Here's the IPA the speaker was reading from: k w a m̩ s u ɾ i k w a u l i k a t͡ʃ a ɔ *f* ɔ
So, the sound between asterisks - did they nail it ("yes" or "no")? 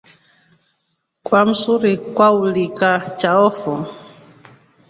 yes